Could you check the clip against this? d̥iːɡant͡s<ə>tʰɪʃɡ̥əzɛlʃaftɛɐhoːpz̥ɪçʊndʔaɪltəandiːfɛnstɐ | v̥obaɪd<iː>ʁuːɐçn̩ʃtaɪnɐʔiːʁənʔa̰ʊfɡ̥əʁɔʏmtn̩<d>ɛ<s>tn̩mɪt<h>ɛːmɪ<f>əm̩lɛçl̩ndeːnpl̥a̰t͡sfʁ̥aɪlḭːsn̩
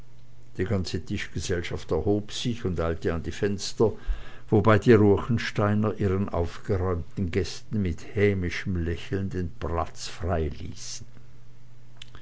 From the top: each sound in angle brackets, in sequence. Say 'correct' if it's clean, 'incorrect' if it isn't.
correct, correct, incorrect, correct, correct, incorrect

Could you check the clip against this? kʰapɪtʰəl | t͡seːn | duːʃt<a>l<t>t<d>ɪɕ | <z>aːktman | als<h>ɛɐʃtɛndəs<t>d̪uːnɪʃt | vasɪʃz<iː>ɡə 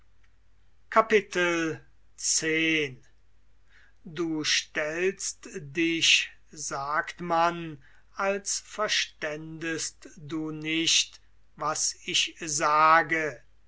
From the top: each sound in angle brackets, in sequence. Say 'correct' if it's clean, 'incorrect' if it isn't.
incorrect, incorrect, correct, correct, incorrect, correct, incorrect

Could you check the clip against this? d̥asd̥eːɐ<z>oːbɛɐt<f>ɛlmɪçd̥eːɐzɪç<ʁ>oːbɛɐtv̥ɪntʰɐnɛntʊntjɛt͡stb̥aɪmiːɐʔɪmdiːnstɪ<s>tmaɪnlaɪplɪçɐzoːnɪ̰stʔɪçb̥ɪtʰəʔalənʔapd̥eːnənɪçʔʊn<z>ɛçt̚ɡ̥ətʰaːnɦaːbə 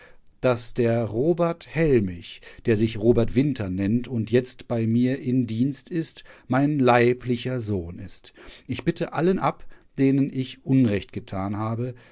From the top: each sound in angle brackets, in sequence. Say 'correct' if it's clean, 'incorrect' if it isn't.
incorrect, incorrect, correct, correct, incorrect

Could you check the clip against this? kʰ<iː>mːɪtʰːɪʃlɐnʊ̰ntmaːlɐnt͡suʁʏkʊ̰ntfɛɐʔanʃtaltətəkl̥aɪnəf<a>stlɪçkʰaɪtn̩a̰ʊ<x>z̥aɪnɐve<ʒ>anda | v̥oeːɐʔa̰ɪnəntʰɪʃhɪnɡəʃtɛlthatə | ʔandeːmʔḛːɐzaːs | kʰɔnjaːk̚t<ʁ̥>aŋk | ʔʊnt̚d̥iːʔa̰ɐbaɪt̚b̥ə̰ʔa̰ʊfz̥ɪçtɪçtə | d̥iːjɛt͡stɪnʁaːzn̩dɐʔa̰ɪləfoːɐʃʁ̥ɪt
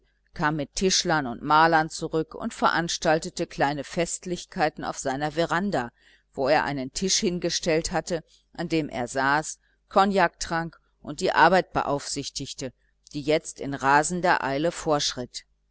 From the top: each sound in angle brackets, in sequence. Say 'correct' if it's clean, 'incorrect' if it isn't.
incorrect, incorrect, incorrect, incorrect, correct

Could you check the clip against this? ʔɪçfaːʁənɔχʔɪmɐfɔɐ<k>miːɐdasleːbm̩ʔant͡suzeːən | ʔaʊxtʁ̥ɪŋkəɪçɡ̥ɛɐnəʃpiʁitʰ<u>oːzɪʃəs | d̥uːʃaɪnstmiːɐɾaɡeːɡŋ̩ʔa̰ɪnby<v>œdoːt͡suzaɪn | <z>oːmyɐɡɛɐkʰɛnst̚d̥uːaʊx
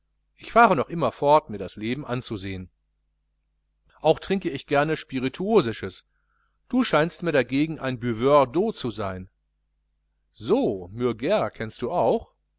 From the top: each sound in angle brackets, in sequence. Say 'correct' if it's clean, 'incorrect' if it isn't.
incorrect, correct, correct, correct

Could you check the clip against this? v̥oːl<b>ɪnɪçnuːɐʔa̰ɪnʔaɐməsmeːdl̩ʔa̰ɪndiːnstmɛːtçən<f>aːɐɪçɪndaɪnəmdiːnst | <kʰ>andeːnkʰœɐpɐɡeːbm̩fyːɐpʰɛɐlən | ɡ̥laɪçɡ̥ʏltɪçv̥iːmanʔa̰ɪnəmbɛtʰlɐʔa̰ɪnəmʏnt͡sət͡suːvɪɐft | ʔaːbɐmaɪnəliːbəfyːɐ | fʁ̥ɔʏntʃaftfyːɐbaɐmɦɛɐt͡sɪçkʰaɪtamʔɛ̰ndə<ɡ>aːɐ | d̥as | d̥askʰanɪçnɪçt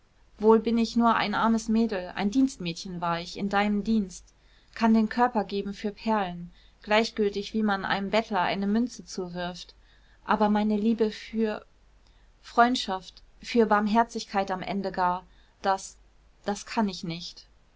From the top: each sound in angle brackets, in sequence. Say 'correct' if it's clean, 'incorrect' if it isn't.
correct, incorrect, correct, correct

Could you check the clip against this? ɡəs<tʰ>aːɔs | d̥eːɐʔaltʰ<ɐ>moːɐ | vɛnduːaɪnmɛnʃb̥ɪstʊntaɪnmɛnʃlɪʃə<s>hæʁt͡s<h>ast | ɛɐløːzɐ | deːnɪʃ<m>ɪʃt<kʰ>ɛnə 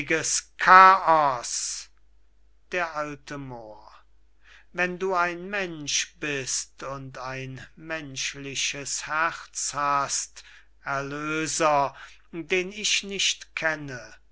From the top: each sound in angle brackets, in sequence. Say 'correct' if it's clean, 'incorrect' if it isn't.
incorrect, incorrect, correct, correct, incorrect, correct

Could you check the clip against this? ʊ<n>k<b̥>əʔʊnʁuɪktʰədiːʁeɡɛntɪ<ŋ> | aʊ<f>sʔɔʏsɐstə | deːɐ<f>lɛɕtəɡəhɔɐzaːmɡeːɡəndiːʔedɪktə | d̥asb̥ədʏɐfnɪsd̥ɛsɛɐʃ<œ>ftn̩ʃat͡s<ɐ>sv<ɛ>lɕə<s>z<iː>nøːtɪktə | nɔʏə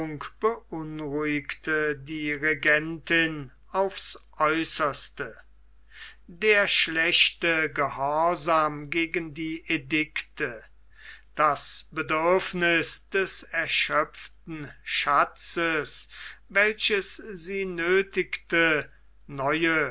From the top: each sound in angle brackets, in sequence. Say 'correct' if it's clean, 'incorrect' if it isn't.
incorrect, correct, incorrect, correct, incorrect, correct, incorrect, correct, correct, correct

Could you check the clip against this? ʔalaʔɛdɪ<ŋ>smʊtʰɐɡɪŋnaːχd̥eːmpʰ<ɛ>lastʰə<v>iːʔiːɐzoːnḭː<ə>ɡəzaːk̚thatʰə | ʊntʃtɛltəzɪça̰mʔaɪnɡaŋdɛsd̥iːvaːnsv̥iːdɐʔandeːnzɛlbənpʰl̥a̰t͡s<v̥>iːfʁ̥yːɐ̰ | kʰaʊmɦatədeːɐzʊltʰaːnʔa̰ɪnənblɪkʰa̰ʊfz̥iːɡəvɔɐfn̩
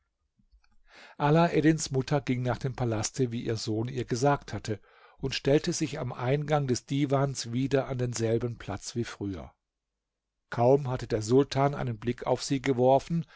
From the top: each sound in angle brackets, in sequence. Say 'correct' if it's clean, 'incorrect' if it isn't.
incorrect, incorrect, correct, incorrect, correct

